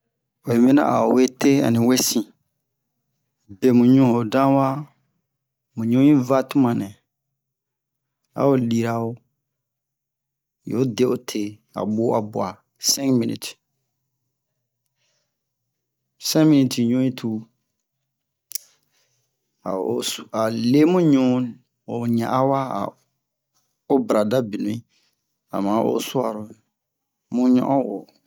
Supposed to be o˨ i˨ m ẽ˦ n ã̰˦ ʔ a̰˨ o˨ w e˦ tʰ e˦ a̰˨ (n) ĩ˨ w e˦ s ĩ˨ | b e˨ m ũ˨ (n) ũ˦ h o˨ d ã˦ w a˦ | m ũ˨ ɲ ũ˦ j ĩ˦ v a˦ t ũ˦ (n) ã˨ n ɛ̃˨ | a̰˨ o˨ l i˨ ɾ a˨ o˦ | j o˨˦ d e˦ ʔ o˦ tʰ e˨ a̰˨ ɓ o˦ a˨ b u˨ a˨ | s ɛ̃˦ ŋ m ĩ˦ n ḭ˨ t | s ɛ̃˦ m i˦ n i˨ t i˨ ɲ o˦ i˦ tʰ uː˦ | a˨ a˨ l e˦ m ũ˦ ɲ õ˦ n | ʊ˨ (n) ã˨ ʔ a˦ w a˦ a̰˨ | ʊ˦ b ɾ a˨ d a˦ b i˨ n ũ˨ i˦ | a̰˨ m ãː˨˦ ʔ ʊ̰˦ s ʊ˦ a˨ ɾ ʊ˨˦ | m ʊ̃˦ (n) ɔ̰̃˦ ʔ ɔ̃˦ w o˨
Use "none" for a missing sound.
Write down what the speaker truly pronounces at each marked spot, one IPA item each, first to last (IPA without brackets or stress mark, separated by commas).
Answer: n, ɲ, m, ɲ, ɲ